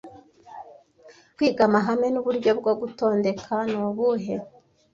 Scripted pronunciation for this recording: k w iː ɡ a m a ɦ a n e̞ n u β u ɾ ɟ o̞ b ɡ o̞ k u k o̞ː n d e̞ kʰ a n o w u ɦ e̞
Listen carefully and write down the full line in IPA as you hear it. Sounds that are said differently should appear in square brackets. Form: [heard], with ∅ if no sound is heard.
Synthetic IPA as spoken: k w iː ɡ a m a ɦ a [m] e̞ n u β u ɾ ɟ o̞ b ɡ o̞ [ɡ] u [t] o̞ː n d e̞ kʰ a n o [β] u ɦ e̞